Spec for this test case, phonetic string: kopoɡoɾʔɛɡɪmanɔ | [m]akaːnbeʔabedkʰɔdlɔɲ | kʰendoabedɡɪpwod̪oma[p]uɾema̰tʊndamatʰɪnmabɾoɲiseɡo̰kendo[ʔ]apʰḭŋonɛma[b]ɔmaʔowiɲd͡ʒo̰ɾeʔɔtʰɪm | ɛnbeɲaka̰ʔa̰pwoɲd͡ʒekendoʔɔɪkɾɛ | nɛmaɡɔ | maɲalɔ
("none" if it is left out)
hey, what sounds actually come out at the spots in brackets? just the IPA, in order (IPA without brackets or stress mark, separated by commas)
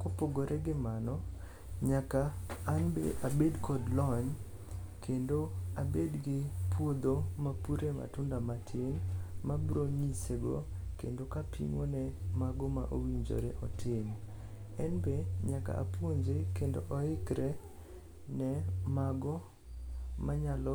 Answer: ɲ, p, k, ɡ